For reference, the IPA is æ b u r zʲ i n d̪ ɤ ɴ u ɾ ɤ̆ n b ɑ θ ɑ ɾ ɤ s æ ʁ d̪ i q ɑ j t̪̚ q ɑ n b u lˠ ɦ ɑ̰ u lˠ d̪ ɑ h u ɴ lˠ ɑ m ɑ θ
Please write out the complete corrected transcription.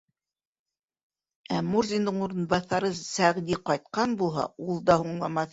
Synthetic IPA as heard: æ m u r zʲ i n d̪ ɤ ɴ u ɾ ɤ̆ n b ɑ θ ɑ ɾ ɤ s æ ʁ d̪ i q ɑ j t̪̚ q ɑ n b u lˠ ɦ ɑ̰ u lˠ d̪ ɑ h u ɴ lˠ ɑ m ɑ θ